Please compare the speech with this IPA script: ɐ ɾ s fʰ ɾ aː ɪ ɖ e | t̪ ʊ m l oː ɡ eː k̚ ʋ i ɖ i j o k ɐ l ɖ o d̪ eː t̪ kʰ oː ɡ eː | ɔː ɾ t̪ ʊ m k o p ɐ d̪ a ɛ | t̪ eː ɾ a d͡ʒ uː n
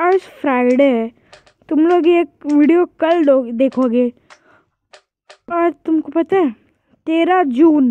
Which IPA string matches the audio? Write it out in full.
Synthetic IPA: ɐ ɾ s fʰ ɾ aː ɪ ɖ e | t̪ ʊ m l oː ɡ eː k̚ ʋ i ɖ i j o k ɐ l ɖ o d̪ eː kʰ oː ɡ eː | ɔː ɾ t̪ ʊ m k o p ɐ t̪ a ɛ | t̪ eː ɾ a d͡ʒ uː n